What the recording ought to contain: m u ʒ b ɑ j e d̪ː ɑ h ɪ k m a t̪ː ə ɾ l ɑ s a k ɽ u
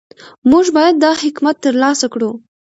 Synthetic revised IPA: m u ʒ b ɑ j a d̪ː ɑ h ɪ k m a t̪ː ə ɾ l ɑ s a k ɽ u